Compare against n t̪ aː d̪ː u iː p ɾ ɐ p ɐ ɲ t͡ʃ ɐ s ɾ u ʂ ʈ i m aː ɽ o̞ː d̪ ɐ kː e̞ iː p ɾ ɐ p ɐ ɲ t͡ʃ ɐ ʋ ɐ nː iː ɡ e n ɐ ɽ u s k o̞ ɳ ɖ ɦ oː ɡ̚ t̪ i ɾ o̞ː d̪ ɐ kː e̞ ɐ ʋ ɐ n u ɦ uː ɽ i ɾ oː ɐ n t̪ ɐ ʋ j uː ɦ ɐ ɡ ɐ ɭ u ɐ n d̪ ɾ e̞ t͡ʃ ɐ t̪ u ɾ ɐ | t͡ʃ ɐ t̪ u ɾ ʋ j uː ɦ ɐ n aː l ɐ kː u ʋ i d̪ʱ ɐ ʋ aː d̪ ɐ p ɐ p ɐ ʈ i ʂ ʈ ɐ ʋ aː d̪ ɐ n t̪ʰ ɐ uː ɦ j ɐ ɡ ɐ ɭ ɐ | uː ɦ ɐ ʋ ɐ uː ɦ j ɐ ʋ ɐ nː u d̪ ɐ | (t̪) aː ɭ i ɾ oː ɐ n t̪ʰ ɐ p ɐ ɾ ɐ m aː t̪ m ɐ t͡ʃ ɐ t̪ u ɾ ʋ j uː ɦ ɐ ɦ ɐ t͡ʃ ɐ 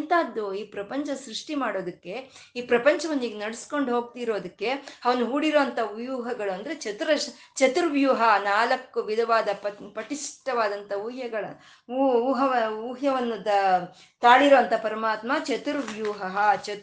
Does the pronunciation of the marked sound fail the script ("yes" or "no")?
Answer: no